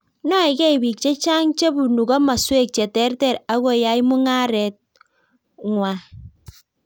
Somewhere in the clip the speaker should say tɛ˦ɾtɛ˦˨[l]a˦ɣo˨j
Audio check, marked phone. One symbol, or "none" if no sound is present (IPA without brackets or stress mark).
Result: ɾ